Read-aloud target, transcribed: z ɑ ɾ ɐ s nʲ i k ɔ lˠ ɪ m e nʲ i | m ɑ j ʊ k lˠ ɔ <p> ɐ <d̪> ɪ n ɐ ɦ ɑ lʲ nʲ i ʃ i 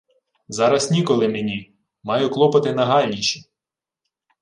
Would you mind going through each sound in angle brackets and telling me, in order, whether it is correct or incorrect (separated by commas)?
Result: correct, incorrect